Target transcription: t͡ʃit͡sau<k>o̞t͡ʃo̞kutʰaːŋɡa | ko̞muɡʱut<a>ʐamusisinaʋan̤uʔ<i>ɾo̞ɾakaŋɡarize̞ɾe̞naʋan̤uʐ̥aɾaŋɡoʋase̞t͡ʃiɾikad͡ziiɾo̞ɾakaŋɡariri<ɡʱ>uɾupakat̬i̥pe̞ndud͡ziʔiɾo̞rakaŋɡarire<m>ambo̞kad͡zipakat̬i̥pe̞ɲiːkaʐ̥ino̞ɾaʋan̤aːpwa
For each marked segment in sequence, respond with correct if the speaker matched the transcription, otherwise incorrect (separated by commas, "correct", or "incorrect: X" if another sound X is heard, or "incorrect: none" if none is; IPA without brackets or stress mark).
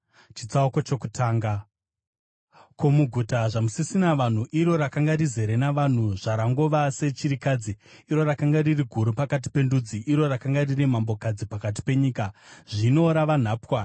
correct, correct, correct, correct, correct